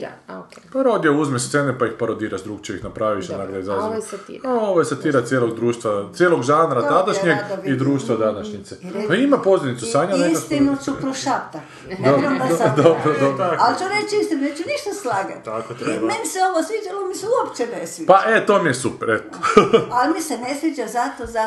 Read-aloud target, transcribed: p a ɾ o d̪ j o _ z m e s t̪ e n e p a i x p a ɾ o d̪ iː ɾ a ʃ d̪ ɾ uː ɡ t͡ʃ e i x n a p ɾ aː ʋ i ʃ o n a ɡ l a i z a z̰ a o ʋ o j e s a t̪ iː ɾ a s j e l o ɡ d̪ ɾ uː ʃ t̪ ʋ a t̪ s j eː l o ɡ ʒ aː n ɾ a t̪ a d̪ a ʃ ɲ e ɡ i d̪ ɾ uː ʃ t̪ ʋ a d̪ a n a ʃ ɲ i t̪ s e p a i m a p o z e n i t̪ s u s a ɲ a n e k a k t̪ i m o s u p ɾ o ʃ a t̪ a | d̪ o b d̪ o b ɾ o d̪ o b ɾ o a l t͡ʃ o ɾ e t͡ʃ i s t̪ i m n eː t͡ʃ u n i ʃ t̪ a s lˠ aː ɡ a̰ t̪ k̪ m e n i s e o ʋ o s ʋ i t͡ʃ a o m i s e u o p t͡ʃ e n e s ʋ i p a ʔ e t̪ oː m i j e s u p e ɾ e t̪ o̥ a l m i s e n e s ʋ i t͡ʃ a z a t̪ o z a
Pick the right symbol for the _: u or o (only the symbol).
u